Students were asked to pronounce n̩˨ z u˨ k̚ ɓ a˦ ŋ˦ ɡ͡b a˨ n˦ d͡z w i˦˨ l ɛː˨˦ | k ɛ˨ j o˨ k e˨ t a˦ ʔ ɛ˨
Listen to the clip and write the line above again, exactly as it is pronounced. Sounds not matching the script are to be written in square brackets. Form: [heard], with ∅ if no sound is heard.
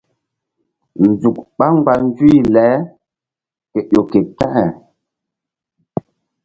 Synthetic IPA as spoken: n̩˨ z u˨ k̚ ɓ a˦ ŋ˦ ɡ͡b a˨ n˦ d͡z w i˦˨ l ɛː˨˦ | k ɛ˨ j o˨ k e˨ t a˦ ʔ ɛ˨